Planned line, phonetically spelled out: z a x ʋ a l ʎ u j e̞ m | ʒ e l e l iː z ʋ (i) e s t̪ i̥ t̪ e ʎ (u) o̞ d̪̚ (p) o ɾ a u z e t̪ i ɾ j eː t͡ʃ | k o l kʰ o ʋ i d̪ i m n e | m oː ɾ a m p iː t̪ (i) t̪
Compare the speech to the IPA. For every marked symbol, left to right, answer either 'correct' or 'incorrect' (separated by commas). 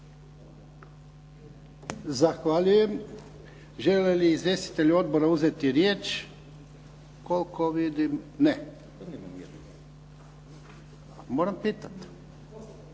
incorrect, correct, incorrect, incorrect